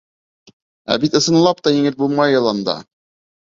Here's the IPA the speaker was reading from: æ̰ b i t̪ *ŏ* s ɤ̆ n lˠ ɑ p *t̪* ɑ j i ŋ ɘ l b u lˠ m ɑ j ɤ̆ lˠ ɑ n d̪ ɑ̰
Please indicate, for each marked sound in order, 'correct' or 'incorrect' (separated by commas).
incorrect, correct